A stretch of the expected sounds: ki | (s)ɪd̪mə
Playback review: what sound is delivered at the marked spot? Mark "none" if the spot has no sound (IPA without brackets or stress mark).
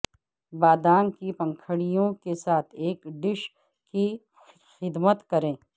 x